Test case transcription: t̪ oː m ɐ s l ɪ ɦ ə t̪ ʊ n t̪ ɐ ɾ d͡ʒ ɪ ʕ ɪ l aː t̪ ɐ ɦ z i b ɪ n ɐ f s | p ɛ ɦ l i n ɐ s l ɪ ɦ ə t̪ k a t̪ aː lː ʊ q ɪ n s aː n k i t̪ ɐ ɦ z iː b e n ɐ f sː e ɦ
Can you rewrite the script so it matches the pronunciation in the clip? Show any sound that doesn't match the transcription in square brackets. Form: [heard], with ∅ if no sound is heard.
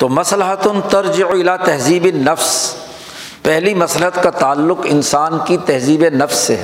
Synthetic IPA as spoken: t̪ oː m ɐ s l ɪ ɦ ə t̪ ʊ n t̪ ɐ ɾ d͡ʒ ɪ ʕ ɪ l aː t̪ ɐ ɦ z [iː] b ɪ n ɐ f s | p ɛ ɦ l i [m] ɐ s l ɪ ɦ ə t̪ k a t̪ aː lː ʊ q ɪ n s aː n k i t̪ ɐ ɦ z iː b e n ɐ f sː e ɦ